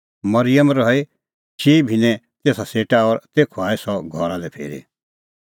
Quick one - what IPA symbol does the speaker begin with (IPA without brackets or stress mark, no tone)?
m